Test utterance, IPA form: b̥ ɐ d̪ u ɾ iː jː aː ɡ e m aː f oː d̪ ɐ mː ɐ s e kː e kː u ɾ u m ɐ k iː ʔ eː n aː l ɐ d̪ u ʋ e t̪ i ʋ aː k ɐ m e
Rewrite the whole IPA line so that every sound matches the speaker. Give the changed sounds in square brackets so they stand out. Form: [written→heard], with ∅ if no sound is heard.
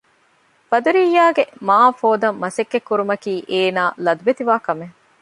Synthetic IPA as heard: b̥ ɐ d̪ u ɾ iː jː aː ɡ e m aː f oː d̪ ɐ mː ɐ s e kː e kː u ɾ u m ɐ k iː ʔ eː n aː l ɐ d̪ u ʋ e t̪ i ʋ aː k ɐ m e